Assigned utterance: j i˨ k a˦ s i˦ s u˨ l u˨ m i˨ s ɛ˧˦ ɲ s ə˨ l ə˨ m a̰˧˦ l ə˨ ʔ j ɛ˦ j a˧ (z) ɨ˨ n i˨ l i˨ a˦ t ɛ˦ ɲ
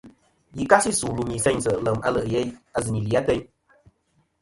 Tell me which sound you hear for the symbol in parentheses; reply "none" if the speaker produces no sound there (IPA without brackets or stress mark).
z